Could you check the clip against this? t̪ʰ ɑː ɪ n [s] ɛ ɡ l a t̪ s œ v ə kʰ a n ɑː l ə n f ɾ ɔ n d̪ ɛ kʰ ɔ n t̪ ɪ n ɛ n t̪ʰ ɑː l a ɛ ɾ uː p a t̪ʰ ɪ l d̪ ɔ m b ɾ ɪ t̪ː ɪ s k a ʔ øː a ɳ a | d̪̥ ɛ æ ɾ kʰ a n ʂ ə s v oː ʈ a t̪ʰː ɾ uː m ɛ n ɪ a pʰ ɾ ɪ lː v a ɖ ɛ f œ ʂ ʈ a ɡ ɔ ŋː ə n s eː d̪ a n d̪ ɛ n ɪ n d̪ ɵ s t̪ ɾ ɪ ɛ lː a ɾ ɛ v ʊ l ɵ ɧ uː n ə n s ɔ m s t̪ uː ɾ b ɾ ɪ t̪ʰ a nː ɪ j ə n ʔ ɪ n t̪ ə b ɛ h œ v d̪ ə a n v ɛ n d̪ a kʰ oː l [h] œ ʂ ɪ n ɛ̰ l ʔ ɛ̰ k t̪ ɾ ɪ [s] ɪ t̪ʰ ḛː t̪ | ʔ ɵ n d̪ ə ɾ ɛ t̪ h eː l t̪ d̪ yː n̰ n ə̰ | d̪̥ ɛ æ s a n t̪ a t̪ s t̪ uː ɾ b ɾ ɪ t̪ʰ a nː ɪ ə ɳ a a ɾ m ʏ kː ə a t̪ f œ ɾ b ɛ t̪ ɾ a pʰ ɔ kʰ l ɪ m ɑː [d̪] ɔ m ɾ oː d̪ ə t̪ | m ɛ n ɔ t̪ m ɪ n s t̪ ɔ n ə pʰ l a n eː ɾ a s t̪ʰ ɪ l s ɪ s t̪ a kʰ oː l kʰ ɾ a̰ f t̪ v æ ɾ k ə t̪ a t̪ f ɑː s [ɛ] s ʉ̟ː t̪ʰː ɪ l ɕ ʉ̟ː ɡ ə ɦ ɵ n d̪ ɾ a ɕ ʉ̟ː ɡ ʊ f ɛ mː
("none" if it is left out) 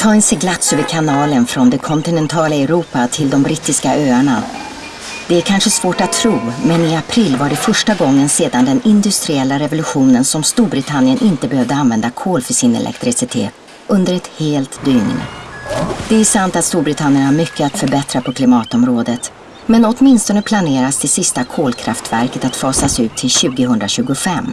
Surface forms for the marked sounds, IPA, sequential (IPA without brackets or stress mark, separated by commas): s, f, s, t̪, a